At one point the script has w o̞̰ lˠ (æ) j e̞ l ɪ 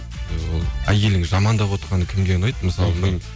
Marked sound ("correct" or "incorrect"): correct